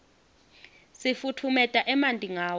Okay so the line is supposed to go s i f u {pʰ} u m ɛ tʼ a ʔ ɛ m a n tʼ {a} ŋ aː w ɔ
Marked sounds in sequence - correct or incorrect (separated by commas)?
incorrect, incorrect